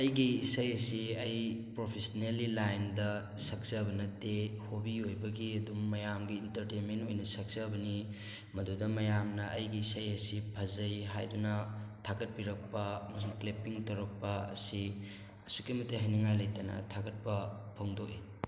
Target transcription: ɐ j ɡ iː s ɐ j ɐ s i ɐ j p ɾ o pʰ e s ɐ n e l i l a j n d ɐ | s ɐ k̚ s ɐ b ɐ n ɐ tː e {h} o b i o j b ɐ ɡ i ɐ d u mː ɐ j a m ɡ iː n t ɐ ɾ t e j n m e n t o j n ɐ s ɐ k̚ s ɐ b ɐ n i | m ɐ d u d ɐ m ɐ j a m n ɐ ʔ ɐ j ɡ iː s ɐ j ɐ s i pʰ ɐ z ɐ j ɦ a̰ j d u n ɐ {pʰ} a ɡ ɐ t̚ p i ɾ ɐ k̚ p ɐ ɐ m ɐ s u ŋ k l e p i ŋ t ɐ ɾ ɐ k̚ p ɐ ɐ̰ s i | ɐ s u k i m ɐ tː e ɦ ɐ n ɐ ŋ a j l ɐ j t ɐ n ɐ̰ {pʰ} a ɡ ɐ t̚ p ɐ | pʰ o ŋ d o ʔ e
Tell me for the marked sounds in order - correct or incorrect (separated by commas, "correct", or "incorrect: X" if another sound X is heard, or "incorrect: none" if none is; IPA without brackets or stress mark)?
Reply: correct, incorrect: tʰ, incorrect: tʰ